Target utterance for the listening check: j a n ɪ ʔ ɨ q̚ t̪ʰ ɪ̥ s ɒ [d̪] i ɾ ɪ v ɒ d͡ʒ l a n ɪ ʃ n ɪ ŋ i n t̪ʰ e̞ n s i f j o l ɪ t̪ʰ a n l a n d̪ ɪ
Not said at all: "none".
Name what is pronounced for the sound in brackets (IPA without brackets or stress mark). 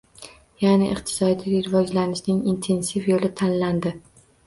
d̪